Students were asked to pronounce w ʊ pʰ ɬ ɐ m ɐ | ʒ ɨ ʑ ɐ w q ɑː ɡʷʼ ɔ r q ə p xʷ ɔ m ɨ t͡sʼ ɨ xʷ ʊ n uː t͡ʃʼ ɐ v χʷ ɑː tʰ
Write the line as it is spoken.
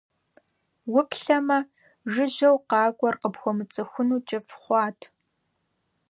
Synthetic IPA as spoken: w ʊ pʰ ɬ ɐ m ɐ | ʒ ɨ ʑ ɐ w q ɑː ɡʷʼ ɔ r q ə p xʷ ɔ m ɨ t͡sʼ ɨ xʷ ʊ n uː t͡ʃʼ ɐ f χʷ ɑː tʰ